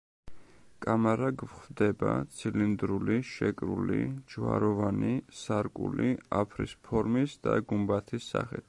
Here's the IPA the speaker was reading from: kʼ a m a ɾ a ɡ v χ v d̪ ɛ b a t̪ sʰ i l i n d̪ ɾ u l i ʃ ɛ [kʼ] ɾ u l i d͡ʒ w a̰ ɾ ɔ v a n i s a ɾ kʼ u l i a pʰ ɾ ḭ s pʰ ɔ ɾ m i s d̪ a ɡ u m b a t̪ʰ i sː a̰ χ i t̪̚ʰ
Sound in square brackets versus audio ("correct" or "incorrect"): correct